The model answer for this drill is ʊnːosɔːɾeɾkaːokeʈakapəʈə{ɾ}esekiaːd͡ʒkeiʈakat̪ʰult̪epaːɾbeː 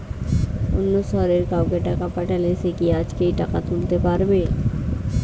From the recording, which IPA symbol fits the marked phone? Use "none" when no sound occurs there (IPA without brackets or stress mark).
l